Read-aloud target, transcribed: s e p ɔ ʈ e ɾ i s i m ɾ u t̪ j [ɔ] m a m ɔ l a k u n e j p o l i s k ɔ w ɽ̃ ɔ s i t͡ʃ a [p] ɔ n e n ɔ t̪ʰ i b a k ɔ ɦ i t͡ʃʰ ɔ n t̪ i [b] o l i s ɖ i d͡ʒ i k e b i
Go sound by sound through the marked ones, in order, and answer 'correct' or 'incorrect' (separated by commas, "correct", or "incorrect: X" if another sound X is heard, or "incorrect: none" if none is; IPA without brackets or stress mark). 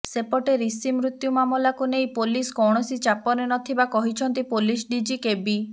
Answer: incorrect: u, correct, incorrect: p